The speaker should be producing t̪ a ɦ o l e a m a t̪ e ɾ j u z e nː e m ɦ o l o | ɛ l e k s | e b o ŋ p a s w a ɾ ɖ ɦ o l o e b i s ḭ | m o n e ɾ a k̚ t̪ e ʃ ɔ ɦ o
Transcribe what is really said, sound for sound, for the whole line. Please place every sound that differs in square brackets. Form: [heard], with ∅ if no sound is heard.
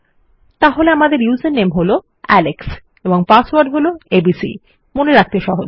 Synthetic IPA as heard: t̪ a ɦ o l e a m a [d̪] e ɾ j u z e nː e m ɦ o l o | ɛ l e k s | e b o ŋ p a s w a ɾ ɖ ɦ o l o e b i s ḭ | m o n e ɾ a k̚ t̪ e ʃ ɔ ɦ o